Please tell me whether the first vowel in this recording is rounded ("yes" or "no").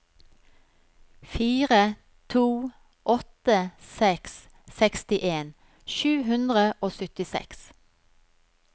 no